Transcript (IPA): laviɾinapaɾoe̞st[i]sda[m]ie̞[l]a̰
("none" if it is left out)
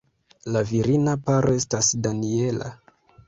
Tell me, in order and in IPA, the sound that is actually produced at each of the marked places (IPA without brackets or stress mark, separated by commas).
a, n, l